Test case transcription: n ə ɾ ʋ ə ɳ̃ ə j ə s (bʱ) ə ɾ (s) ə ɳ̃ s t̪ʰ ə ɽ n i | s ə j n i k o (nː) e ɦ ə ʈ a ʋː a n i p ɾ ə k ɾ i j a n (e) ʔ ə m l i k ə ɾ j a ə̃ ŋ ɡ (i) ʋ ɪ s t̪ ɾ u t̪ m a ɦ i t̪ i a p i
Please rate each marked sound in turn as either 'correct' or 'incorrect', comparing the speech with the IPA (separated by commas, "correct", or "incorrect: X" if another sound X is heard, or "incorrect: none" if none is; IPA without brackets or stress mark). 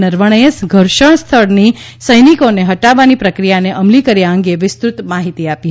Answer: incorrect: ɡʱ, incorrect: ʃ, incorrect: n, correct, incorrect: e